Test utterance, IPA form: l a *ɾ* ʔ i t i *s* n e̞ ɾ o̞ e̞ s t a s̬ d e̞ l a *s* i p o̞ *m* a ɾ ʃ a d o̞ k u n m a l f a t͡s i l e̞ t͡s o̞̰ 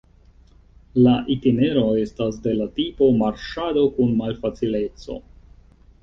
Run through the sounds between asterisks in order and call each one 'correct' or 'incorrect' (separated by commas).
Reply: incorrect, incorrect, incorrect, correct